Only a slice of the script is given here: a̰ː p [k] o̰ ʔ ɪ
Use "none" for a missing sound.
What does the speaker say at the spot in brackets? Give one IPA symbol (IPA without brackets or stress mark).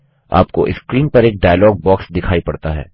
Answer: k